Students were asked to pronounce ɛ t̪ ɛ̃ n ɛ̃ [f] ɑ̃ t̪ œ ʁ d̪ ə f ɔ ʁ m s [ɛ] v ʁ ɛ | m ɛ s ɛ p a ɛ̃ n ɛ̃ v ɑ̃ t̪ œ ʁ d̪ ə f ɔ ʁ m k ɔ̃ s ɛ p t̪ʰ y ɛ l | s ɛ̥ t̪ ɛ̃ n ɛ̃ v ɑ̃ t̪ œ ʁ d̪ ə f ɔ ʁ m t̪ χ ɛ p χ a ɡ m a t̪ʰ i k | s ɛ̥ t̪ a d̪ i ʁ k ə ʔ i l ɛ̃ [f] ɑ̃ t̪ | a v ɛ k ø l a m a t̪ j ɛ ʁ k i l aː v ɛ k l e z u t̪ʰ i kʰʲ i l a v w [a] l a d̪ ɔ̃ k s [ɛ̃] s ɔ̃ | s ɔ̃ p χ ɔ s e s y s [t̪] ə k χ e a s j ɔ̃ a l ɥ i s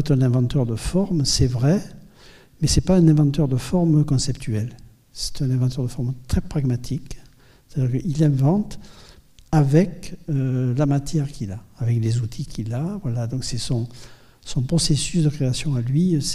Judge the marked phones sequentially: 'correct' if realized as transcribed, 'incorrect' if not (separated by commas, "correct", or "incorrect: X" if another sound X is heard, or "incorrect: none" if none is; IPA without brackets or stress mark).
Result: incorrect: v, correct, incorrect: v, correct, incorrect: ɛ, incorrect: d̪